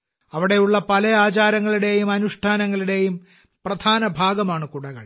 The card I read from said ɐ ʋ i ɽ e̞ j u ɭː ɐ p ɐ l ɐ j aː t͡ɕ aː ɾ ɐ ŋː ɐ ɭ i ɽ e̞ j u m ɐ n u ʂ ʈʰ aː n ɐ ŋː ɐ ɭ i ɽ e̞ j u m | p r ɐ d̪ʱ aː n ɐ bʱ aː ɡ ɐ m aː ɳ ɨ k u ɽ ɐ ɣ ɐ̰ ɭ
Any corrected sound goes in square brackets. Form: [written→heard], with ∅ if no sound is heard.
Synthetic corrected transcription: ɐ ʋ i ɽ e̞ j u ɭː ɐ p ɐ l ɐ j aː t͡ɕ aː ɾ ɐ ŋː ɐ ɭ i ɽ e̞ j u m ɐ n u ʂ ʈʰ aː n ɐ ŋː ɐ ɭ i ɽ e̞ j u m | p r ɐ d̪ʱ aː n ɐ bʱ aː ɡ ɐ m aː ɳ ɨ k u ɽ ɐ ɣ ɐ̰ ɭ

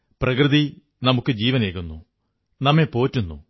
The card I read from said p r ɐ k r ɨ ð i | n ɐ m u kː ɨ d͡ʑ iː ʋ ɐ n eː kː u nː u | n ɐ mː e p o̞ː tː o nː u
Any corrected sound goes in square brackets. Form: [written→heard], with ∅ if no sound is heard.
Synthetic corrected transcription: p r ɐ k r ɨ ð i | n ɐ m u kː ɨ d͡ʑ iː ʋ ɐ n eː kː u nː u | n ɐ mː e p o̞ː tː [o→u] nː u

